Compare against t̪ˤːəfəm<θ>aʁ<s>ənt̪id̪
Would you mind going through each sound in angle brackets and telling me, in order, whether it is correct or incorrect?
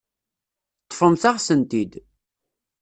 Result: correct, correct

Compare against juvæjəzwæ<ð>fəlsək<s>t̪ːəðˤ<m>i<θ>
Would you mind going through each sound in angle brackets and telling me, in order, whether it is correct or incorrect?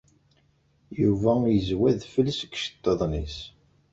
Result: correct, incorrect: ʃ, incorrect: n, incorrect: s

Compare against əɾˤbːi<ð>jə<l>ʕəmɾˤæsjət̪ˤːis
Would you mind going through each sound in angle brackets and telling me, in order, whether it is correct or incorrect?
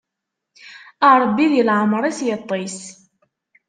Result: correct, correct

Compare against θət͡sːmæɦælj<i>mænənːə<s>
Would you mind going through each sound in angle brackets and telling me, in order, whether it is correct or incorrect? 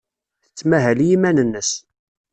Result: correct, correct

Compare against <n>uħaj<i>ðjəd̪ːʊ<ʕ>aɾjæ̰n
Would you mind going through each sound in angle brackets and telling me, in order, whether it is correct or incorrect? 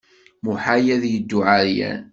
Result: incorrect: m, incorrect: æ, correct

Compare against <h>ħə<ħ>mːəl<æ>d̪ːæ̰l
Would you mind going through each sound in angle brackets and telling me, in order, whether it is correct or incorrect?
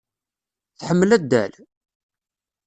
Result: incorrect: θ, incorrect: none, correct

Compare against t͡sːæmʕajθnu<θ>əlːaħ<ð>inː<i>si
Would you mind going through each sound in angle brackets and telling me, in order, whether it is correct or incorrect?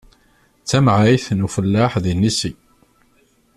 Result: incorrect: f, correct, correct

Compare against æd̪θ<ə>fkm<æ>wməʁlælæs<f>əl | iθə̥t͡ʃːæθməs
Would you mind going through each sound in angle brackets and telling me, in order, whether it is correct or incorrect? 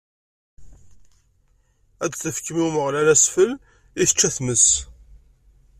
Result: correct, incorrect: i, correct

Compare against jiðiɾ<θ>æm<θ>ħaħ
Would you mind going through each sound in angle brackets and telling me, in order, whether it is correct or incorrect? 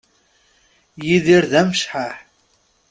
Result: incorrect: ð, incorrect: ʃ

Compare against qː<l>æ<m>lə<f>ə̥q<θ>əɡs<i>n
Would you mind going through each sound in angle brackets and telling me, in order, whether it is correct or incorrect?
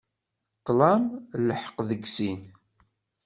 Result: correct, correct, incorrect: ħ, incorrect: ð, correct

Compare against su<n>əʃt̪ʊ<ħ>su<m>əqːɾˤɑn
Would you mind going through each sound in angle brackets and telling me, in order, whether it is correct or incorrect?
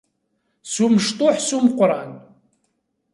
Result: incorrect: m, correct, correct

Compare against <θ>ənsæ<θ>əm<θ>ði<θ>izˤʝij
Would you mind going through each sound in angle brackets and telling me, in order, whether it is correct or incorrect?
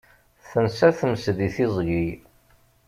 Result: correct, correct, incorrect: s, correct

